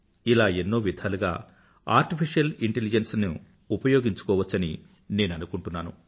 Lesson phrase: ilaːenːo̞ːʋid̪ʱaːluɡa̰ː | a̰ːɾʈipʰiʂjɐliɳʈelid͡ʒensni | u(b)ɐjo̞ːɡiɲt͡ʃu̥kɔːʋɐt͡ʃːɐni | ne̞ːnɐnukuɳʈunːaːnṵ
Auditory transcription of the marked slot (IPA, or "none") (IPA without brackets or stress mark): p